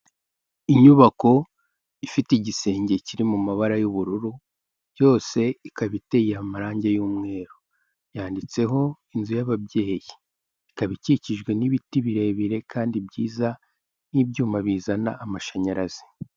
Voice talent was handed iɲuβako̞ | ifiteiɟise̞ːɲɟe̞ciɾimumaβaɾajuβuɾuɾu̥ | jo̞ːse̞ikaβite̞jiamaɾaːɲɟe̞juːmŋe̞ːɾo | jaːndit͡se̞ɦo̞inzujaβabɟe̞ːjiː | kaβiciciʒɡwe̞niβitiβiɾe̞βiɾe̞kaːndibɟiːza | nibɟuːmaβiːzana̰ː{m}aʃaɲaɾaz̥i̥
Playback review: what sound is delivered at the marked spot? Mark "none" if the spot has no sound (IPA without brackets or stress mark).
m